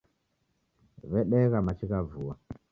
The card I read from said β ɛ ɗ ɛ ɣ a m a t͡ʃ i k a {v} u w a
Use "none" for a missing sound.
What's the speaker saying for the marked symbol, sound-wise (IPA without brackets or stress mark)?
v